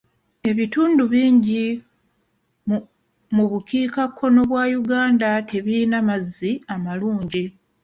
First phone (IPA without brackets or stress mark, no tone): e̞